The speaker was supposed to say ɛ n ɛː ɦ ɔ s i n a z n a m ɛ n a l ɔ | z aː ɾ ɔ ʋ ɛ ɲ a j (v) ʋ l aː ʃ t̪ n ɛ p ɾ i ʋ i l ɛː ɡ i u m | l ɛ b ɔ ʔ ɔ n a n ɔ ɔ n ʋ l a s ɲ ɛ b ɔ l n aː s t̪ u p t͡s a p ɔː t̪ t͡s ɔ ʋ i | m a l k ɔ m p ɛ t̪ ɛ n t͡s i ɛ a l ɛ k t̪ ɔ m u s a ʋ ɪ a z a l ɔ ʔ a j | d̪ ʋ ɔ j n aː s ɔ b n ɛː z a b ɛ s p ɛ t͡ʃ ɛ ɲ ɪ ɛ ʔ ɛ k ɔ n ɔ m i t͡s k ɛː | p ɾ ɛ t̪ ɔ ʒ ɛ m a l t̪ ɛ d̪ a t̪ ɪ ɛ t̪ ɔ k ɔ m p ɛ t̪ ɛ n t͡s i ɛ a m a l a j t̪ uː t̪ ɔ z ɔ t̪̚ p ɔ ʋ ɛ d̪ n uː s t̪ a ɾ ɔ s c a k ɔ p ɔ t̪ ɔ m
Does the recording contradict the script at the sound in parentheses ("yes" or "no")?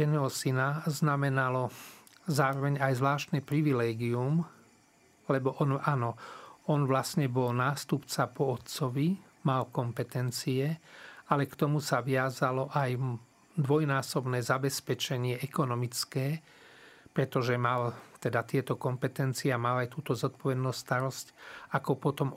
yes